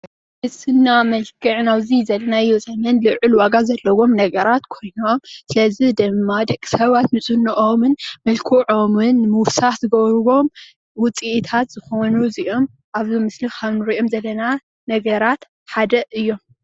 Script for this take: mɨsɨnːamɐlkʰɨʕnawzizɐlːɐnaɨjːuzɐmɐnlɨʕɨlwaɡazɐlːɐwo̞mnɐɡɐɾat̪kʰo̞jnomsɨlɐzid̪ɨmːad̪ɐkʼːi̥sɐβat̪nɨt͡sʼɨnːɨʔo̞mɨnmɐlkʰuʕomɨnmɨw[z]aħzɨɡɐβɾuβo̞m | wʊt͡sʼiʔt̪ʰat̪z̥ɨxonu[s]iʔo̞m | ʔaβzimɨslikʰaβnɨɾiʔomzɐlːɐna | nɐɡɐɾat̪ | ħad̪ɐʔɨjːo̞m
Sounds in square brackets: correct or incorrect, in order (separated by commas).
incorrect, incorrect